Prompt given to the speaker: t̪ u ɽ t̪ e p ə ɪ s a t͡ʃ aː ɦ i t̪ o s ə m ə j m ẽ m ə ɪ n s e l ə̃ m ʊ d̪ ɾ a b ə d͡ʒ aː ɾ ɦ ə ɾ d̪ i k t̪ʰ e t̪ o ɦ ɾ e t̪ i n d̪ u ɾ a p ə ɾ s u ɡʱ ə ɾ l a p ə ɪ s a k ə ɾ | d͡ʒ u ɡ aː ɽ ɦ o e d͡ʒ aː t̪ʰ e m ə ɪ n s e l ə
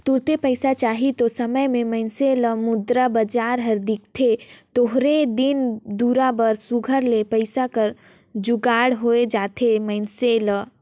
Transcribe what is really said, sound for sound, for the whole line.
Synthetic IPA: t̪ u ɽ t̪ e p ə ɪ s a t͡ʃ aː ɦ i t̪ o s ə m ə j m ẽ m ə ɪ n s e l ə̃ m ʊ d̪ ɾ a b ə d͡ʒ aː ɾ ɦ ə ɾ d̪ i k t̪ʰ e t̪ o ɦ ɾ e d̪ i n d̪ u ɾ a b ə ɾ s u ɡʱ ə ɾ l e p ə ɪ s a k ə ɾ | d͡ʒ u ɡ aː ɽ ɦ o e d͡ʒ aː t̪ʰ e m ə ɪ n s e l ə